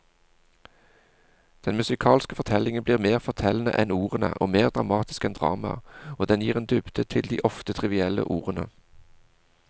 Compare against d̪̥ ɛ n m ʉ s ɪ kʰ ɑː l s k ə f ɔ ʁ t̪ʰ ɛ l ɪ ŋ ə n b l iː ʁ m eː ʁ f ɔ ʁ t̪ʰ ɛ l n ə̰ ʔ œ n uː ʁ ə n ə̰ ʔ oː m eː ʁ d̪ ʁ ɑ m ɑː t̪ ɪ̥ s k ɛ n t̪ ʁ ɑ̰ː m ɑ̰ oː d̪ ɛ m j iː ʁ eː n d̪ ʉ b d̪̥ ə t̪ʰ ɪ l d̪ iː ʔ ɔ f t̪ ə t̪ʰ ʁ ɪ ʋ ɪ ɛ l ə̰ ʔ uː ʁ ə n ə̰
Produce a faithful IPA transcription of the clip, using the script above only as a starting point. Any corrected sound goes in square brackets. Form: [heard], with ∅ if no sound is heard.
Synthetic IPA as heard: d̪̥ ɛ n m ʉ s ɪ kʰ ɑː l s k ə f ɔ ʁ t̪ʰ ɛ l ɪ ŋ ə n b l iː ʁ m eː ʁ f ɔ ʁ t̪ʰ ɛ l n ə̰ ʔ [ɛ] n uː ʁ ə n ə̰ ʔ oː m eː ʁ d̪ ʁ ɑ m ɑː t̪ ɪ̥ s k ɛ n [d̪] ʁ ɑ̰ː m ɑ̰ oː d̪ ɛ [n] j iː ʁ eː n d̪ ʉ b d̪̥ ə t̪ʰ ɪ l d̪ iː ʔ ɔ f t̪ ə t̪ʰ ʁ ɪ ʋ ɪ ɛ l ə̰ ʔ uː ʁ ə n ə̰